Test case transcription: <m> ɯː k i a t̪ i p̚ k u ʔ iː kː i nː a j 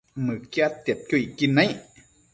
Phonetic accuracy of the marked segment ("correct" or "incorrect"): correct